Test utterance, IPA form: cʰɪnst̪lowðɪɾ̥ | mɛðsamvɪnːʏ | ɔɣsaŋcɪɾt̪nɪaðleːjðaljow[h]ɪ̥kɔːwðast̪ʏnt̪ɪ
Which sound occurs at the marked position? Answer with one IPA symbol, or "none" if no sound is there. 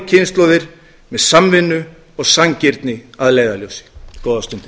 s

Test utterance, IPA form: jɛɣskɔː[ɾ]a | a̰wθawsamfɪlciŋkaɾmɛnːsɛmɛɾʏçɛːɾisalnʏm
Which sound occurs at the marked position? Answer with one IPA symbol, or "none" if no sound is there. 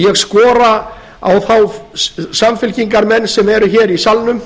ɾ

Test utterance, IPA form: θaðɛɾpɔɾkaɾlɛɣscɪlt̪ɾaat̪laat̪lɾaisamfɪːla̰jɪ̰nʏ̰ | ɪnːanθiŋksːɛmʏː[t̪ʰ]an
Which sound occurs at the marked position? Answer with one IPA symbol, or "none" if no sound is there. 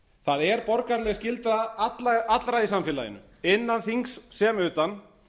t̪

